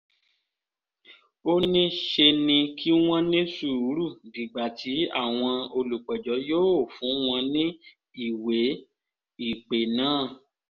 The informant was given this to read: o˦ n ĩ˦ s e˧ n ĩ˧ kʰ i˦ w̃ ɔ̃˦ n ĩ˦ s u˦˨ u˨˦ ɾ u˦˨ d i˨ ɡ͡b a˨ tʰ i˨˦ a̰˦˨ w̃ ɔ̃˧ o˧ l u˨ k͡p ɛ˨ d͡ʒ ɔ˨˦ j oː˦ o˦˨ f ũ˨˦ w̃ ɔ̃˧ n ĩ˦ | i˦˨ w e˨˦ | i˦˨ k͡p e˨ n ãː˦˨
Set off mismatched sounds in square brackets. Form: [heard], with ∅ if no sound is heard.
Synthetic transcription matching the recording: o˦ n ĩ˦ [ʃ] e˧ n ĩ˧ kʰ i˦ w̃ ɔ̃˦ n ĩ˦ s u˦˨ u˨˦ ɾ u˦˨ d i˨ ɡ͡b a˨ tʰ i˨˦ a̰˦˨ w̃ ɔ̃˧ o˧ l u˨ k͡p ɛ˨ d͡ʒ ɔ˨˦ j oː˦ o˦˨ f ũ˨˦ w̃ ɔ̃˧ n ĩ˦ | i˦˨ w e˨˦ | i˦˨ k͡p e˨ n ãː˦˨